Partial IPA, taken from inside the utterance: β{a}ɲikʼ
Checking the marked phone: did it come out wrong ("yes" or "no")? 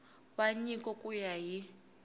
no